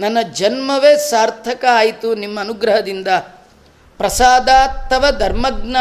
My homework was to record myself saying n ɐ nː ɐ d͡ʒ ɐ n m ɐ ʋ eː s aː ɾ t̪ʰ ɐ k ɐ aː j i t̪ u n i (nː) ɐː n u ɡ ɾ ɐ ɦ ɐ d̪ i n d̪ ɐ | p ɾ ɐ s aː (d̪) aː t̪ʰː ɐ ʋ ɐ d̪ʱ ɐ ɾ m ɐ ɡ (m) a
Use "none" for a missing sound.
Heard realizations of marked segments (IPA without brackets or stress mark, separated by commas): mː, d̪, n